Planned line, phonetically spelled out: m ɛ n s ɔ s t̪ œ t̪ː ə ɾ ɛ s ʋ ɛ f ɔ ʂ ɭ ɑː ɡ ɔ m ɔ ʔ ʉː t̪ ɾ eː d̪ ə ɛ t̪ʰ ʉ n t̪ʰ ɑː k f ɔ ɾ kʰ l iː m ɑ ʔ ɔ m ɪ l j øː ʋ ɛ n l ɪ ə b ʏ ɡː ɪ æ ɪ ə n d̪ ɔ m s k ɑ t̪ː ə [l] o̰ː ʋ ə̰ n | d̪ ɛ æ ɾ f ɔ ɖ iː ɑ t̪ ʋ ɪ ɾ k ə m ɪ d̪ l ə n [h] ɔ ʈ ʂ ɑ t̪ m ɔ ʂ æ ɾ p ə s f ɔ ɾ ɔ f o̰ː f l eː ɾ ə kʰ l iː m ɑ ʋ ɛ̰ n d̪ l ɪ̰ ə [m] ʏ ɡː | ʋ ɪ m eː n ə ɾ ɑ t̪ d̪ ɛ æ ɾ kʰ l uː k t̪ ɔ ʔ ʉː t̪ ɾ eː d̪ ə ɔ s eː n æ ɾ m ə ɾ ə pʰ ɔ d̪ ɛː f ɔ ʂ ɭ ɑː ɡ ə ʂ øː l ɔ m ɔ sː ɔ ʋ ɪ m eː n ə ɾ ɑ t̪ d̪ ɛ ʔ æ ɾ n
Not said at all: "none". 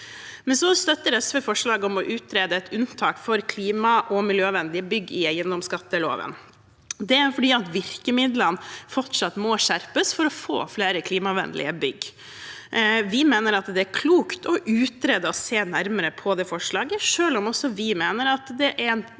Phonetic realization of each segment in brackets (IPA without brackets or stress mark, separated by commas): l, f, b